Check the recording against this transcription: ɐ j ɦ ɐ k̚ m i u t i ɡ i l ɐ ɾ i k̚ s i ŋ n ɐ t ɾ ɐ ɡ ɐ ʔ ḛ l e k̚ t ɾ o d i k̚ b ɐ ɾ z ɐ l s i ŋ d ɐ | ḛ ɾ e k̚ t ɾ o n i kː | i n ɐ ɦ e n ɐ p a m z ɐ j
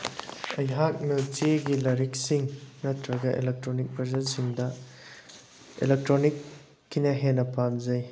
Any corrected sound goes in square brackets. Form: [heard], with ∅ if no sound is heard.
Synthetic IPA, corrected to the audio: ɐ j ɦ [a] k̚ m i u t i ɡ i l ɐ ɾ i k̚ s i ŋ n ɐ t ɾ ɐ ɡ ɐ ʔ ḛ l e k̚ t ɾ o [n] i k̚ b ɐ ɾ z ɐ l s i ŋ d ɐ | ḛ [l] e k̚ t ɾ o n i kː | i n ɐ ɦ e n ɐ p a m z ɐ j